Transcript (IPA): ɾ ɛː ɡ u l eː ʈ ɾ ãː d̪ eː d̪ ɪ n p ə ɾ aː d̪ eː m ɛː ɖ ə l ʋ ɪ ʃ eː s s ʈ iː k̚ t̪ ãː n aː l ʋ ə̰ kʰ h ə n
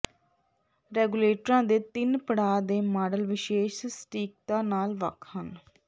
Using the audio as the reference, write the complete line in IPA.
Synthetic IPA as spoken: ɾ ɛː ɡ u l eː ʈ ɾ ãː d̪ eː t̪ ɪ n p ə ɽ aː d̪ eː m aː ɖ ə l ʋ ɪ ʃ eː ʃ s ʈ iː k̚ t̪ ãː n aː l ʋ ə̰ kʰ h ə n